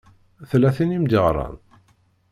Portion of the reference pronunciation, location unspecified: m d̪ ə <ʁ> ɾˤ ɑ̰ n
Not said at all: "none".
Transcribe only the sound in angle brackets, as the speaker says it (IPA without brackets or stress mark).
ʁ